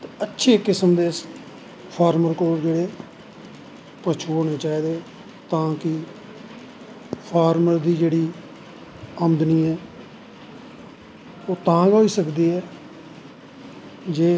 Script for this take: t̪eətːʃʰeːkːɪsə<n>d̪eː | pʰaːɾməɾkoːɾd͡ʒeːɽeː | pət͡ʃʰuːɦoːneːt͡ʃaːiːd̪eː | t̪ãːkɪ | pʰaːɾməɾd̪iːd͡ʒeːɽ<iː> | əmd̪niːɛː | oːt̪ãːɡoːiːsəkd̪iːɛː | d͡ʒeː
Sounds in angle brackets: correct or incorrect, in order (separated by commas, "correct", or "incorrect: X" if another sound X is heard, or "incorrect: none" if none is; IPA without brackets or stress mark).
incorrect: m, correct